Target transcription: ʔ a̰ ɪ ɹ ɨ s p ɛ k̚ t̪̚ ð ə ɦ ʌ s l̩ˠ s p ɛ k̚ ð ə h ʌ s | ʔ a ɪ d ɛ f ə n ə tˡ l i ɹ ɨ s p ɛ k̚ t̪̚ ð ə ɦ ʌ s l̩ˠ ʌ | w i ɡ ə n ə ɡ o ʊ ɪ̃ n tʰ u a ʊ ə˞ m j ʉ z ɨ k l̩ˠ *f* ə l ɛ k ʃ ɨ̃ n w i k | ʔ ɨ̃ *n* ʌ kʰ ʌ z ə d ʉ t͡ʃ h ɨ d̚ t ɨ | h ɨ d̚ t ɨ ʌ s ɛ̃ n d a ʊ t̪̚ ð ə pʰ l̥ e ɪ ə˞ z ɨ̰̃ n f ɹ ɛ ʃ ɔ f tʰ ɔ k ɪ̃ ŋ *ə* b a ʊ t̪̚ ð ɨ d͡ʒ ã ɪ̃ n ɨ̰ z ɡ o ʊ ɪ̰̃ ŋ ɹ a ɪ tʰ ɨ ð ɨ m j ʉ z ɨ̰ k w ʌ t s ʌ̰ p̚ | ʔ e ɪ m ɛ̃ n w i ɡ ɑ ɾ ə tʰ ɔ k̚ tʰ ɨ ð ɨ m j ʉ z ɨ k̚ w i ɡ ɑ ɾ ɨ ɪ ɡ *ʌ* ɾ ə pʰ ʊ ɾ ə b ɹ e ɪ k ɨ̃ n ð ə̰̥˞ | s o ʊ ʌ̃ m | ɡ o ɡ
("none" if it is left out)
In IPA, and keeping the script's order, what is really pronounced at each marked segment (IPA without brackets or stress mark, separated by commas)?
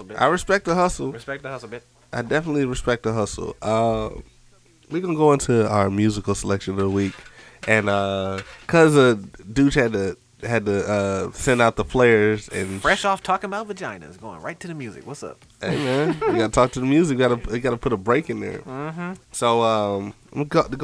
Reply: s, n, ə, ɑ